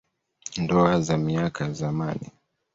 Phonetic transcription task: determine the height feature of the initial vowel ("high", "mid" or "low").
mid